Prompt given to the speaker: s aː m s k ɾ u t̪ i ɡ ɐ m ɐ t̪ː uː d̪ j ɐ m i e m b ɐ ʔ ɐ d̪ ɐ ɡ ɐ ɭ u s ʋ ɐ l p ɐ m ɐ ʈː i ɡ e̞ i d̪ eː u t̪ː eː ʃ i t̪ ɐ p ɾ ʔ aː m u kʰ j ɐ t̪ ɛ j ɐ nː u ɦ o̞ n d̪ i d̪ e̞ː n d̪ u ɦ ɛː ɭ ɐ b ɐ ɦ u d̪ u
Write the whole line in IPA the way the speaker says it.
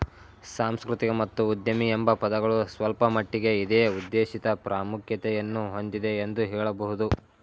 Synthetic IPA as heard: s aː m s k ɾ u t̪ i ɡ ɐ m ɐ t̪ː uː d̪ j ɐ m i e m b ɐ p ɐ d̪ ɐ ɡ ɐ ɭ u s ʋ ɐ l p ɐ m ɐ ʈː i ɡ e̞ i d̪ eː u d̪ː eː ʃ i t̪ ɐ p ɾ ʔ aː m u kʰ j ɐ t̪ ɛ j ɐ nː u ɦ o̞ n d̪ i d̪ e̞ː n d̪ u ɦ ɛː ɭ ɐ b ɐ ɦ u d̪ u